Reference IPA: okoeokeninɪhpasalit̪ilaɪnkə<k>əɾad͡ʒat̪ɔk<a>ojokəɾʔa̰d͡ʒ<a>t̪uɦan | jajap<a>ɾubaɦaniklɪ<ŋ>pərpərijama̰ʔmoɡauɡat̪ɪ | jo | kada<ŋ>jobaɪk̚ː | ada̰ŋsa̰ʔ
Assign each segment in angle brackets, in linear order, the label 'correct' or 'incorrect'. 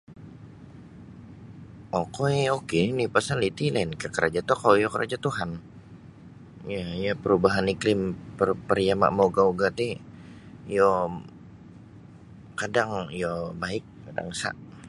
correct, correct, correct, incorrect, incorrect, correct

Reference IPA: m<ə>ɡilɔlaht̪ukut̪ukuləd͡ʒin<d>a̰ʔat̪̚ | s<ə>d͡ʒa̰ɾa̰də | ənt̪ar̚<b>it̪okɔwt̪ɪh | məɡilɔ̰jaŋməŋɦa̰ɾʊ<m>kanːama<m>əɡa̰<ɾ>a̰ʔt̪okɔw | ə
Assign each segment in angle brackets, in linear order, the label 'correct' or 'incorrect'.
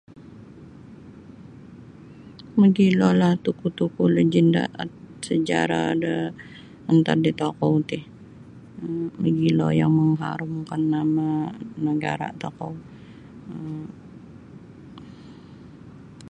correct, correct, correct, incorrect, correct, incorrect, correct

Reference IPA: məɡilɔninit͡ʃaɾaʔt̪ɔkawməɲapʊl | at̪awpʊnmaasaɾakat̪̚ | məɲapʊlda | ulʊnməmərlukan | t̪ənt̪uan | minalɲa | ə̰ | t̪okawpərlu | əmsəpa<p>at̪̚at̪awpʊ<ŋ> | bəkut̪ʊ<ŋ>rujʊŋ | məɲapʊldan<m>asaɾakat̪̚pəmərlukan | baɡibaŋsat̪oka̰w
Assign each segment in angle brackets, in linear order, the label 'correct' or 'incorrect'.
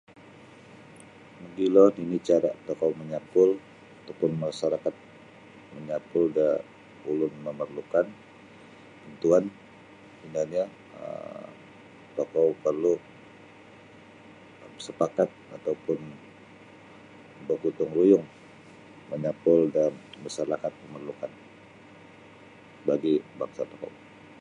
incorrect, incorrect, correct, correct

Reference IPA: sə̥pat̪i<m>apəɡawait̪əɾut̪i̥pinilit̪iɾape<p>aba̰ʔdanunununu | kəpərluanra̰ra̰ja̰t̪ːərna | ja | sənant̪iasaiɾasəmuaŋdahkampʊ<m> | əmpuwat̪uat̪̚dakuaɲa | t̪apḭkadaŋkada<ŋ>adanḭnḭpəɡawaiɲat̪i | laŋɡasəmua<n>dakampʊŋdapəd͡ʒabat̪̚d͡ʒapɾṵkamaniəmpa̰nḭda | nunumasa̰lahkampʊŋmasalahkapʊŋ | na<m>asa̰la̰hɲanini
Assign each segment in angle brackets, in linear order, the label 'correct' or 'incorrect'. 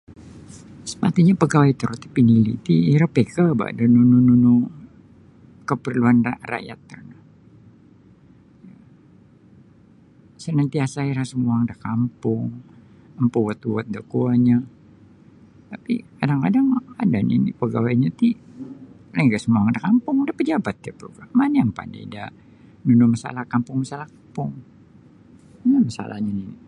incorrect, incorrect, incorrect, correct, incorrect, correct

